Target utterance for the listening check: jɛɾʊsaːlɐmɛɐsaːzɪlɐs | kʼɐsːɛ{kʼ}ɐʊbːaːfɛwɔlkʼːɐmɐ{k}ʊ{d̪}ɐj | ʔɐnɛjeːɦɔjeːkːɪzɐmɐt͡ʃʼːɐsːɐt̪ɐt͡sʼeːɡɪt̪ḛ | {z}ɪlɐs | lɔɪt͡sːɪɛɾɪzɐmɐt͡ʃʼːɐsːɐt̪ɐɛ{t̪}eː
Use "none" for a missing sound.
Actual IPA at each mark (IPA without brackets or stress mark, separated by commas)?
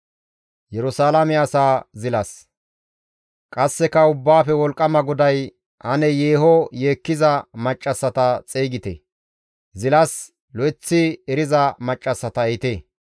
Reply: k, ɡ, d̪, z, t̪